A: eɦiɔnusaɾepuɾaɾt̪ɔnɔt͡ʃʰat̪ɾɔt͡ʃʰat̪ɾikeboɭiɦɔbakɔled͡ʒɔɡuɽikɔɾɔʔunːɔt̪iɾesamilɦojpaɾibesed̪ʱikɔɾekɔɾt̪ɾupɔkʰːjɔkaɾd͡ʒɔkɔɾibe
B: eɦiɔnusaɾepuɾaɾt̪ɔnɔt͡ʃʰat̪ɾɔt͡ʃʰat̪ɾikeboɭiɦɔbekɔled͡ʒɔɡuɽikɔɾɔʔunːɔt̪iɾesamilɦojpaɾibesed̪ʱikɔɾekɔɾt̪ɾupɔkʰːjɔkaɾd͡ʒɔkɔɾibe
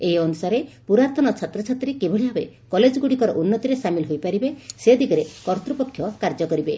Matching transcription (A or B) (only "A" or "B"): B